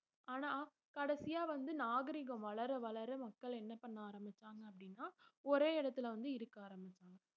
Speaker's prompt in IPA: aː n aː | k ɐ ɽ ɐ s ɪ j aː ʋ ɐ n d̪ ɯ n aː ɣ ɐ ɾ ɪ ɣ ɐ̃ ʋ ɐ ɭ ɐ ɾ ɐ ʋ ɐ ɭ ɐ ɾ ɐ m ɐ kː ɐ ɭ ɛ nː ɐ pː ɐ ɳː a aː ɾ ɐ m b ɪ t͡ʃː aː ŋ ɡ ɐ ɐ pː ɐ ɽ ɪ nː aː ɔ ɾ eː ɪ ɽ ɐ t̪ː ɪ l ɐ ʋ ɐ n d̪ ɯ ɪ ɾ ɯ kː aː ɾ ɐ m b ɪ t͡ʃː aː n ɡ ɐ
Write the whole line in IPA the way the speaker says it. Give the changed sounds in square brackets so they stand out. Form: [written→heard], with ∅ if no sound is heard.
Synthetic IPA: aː n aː | k ɐ ɽ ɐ s ɪ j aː ʋ ɐ n d̪ ɯ n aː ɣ ɐ ɾ ɪ ɣ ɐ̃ ʋ ɐ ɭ ɐ ɾ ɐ ʋ ɐ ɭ ɐ ɾ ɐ m ɐ kː ɐ ɭ ɛ nː ɐ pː ɐ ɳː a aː ɾ ɐ m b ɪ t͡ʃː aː ŋ ɡ ɐ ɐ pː ɐ ɽ ɪ nː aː ɔ ɾ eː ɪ ɽ ɐ t̪ː ɪ l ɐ ʋ ɐ n d̪ ɯ ɪ ɾ ɯ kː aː ɾ ɐ m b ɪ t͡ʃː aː [n→ŋ] ɡ ɐ